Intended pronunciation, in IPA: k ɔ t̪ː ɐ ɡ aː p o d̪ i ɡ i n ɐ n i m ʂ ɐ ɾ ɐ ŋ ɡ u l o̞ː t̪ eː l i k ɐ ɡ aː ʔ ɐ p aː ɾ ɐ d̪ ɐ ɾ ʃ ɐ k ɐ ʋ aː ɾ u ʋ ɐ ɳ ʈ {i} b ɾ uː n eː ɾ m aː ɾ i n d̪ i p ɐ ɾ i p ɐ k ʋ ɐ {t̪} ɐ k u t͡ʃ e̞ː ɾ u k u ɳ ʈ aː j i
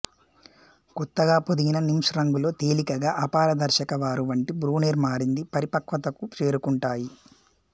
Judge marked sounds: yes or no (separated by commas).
yes, yes